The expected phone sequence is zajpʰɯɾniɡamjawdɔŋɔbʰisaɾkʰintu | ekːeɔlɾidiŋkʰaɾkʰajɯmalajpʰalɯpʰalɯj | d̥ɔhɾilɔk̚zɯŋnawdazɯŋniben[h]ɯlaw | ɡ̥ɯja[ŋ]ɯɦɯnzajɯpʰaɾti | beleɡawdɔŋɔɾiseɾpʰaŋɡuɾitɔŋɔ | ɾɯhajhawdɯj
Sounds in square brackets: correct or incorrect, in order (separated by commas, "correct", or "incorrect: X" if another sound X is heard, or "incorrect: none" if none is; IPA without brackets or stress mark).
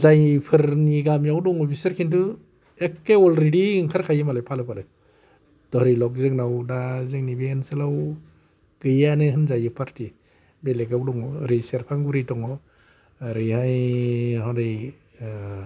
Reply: incorrect: s, incorrect: n